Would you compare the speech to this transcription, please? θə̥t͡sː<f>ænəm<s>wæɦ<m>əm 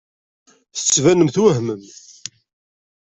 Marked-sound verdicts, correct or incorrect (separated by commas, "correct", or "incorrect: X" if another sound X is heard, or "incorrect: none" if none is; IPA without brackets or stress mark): incorrect: v, incorrect: θ, correct